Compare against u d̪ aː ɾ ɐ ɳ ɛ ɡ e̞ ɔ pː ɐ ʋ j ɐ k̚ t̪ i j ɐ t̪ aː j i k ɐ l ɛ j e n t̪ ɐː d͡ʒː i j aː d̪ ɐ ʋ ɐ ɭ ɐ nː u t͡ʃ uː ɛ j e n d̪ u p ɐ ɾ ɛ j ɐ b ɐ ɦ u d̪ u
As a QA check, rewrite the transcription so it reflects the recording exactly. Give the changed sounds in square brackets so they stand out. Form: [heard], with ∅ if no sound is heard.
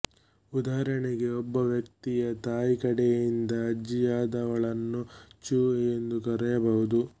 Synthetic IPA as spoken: u d̪ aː ɾ ɐ ɳ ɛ ɡ e̞ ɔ [bː] ɐ ʋ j ɐ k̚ t̪ i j ɐ t̪ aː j i k ɐ [ɽ] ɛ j [i] n [d̪] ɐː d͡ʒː i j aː d̪ ɐ ʋ ɐ ɭ ɐ nː u t͡ʃ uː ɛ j e n d̪ u [k] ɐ ɾ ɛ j ɐ b ɐ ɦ u d̪ u